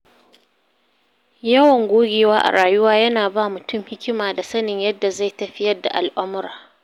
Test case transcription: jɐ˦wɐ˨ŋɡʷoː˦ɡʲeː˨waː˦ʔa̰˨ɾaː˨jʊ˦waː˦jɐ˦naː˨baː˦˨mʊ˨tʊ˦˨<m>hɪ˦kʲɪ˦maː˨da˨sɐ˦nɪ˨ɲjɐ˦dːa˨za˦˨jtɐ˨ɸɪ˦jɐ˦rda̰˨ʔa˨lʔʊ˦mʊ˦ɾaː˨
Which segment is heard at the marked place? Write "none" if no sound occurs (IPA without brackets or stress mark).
m